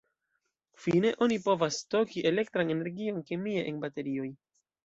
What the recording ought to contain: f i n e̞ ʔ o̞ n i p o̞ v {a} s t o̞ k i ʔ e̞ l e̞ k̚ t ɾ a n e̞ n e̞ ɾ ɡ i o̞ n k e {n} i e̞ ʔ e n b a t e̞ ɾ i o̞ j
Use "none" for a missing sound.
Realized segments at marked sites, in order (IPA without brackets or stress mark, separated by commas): a, m